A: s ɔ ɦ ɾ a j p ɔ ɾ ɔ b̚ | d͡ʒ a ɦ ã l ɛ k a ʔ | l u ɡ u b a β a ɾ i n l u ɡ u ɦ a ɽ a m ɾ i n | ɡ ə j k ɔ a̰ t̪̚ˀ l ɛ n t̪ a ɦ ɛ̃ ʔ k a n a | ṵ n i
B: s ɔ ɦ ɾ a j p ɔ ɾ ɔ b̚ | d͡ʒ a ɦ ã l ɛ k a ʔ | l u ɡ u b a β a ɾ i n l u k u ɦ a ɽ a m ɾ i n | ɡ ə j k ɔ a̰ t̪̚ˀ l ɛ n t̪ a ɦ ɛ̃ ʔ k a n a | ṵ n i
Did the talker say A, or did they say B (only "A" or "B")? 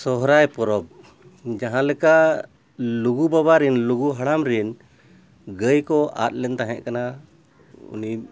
A